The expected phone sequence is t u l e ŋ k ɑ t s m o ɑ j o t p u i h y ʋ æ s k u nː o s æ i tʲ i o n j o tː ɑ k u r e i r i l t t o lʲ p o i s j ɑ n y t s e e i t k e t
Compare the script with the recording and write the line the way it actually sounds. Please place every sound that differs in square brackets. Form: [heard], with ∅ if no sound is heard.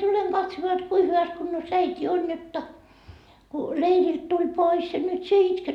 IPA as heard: t u l e ŋ k ɑ t s m o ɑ j o t [k] u i h y ʋ æ s k u nː o s æ i tʲ i o n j o tː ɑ k u [l] e i r i l t t [u] lʲ p o i s j ɑ n y t s [i] e i t k e t